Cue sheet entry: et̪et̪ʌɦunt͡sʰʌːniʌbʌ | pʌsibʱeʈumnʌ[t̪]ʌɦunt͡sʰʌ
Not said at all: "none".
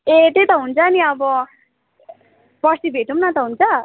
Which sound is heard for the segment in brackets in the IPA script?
t̪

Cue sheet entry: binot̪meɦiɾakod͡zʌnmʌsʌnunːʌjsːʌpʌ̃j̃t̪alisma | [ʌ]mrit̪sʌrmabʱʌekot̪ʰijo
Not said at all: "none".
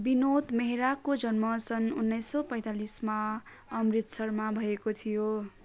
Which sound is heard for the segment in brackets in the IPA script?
ʌ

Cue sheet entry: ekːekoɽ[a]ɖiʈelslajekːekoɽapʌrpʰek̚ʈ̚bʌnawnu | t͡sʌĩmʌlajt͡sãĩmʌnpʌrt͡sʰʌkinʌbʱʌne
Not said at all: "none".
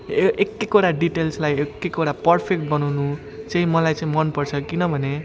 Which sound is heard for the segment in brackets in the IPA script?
a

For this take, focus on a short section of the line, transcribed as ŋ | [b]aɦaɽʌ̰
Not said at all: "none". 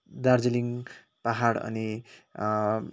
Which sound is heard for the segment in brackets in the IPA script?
p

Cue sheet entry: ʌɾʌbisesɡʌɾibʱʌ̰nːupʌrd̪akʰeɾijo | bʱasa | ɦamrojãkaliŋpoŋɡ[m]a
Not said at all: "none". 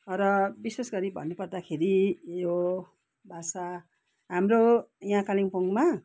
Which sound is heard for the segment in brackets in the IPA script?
m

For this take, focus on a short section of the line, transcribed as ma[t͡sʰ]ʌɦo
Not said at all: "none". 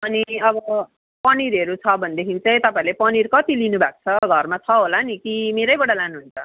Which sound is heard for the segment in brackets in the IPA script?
t͡sʰ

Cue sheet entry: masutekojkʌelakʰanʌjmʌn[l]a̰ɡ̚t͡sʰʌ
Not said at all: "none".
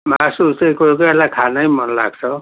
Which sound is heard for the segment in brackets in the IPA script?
l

